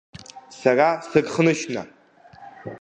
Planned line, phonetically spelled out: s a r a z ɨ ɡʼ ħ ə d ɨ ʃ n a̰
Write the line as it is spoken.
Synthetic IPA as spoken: s a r a s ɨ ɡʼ χ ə n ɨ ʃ n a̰